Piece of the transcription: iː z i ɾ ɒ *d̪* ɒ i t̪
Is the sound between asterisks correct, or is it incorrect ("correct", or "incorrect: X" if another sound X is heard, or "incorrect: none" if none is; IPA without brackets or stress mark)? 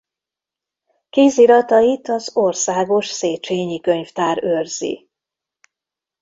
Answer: incorrect: t̪